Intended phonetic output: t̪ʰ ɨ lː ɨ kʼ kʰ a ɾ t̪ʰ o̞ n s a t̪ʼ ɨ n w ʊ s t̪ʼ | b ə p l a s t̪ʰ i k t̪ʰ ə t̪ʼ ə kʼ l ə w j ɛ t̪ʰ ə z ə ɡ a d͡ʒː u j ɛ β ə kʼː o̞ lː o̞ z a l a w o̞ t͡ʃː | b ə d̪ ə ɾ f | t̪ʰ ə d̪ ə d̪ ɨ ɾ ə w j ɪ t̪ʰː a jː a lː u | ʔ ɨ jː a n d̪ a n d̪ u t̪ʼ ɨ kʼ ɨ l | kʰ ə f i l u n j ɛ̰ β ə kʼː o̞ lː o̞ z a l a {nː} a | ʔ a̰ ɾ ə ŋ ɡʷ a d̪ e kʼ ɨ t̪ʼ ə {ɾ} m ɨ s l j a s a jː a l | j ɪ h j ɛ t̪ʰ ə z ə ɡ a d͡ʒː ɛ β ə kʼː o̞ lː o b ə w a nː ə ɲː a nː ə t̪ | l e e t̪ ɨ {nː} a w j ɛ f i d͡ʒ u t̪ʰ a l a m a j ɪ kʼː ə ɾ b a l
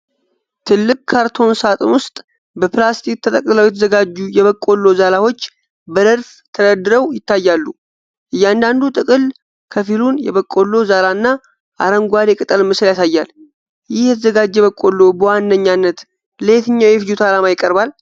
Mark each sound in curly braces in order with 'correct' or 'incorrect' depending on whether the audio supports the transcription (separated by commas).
correct, incorrect, incorrect